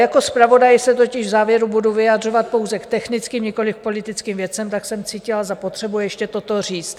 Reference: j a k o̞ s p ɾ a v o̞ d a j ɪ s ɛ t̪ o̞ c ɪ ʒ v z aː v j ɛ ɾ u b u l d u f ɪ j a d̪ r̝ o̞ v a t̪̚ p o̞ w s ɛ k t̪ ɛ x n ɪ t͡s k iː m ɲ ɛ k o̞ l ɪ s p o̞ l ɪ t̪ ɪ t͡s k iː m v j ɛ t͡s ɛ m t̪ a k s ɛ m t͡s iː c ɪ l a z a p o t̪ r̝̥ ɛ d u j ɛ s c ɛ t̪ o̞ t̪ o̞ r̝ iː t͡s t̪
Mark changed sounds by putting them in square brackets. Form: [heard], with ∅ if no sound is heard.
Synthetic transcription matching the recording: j a k o̞ s p ɾ a v o̞ d a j ɪ s ɛ t̪ o̞ c ɪ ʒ v z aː v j ɛ ɾ u b u [∅] d u [v] ɪ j a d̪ r̝ o̞ v a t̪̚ p o̞ w [z] ɛ k t̪ ɛ x n ɪ t͡s k iː m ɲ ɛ k o̞ l ɪ [f] p o̞ l ɪ t̪ ɪ t͡s k iː m v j ɛ t͡s ɛ m t̪ a k s ɛ m t͡s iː c ɪ l a z a p o t̪ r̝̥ ɛ [b] u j ɛ [ʃ] c ɛ t̪ o̞ t̪ o̞ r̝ iː t͡s t̪